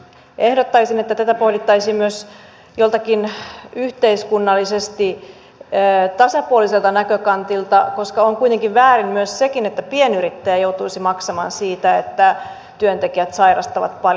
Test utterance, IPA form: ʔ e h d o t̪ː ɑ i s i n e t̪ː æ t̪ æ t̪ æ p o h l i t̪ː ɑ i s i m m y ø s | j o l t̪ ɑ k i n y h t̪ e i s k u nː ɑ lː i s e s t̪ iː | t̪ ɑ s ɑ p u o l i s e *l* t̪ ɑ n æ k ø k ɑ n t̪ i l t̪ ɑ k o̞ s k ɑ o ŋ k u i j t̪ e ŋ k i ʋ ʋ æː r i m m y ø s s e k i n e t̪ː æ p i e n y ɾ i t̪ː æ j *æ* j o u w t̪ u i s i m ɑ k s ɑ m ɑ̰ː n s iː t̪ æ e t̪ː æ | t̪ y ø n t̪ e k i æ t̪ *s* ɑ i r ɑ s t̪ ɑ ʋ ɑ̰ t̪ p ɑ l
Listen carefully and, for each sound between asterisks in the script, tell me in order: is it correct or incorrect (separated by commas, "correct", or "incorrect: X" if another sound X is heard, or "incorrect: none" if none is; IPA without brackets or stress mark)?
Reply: correct, correct, correct